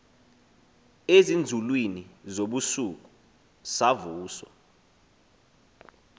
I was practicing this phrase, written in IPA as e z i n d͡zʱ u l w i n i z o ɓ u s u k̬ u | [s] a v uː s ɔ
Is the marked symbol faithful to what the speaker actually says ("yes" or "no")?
yes